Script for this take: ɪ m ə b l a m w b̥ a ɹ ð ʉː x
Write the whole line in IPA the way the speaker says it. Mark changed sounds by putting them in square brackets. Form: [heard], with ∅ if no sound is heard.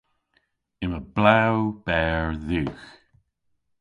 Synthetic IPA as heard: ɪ m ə b l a [∅] w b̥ [ɛ] ɹ ð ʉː x